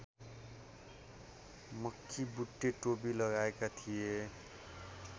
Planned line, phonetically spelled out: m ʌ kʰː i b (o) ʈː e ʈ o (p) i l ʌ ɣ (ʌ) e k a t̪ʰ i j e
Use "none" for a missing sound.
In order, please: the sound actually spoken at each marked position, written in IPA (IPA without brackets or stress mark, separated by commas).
u, b, a